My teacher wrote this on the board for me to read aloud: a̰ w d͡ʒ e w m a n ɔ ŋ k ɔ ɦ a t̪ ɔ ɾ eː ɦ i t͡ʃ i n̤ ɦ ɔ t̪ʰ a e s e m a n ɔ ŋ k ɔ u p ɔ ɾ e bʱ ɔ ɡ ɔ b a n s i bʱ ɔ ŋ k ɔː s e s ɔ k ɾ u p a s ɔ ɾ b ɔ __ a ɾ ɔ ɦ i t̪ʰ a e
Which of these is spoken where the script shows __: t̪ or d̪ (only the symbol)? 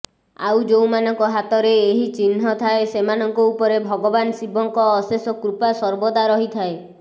d̪